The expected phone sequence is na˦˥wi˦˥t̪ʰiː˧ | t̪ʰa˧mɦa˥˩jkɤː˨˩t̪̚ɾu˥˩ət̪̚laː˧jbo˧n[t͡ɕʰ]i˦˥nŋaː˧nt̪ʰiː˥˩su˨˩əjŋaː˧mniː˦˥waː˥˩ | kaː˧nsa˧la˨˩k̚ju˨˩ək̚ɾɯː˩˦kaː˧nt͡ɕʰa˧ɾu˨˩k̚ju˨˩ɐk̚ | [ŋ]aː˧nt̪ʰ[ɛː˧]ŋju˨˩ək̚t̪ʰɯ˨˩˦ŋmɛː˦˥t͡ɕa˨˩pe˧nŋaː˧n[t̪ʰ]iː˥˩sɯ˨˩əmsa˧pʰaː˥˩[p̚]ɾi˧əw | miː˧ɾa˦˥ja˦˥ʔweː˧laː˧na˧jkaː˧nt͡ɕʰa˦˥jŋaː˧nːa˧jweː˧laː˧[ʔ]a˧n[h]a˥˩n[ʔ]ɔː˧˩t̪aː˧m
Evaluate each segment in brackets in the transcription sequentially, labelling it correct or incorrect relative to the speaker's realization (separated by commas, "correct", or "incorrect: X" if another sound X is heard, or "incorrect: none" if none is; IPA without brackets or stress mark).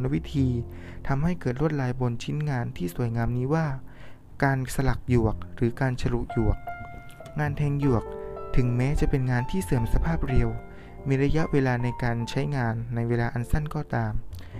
correct, correct, correct, correct, correct, correct, incorrect: s, incorrect: k